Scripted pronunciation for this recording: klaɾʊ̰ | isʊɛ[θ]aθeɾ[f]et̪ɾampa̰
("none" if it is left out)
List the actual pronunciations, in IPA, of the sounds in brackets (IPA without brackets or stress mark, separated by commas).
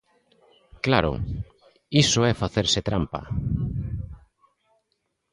f, s